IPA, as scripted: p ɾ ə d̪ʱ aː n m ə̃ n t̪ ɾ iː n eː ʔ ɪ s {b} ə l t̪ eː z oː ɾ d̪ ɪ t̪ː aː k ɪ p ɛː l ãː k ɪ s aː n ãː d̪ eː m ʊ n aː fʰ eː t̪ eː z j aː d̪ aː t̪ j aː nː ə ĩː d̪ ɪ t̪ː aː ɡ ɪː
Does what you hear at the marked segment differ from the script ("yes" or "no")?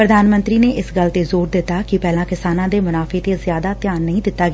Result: yes